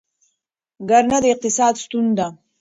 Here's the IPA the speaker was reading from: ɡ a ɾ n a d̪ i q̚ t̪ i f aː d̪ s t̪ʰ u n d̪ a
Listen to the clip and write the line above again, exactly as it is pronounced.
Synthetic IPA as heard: ɡ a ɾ n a d̪ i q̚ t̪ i s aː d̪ s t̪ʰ u n d̪ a

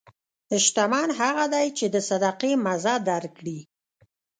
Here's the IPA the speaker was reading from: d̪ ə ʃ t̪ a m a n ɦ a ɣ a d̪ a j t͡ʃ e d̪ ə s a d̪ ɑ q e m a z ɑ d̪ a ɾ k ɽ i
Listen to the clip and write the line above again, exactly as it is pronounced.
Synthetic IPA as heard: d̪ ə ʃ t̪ a m ɑ n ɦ a ɣ a d̪ a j t͡ʃ e d̪ ə s a d̪ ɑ q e m a z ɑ d̪ a ɾ k ɽ i

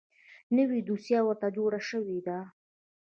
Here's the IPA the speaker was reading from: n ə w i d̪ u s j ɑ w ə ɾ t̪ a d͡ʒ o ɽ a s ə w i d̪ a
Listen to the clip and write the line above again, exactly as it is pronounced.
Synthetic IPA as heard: n ə w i d̪ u s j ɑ w ə ɾ t̪ a d͡ʒ o ɽ a ʃ ə w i d̪ a

